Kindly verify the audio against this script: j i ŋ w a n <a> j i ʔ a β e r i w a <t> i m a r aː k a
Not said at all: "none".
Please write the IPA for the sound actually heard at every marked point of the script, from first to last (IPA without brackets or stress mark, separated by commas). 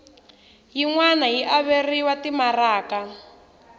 a, t